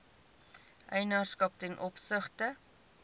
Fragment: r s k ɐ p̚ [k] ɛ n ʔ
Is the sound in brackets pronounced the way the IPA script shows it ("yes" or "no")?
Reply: no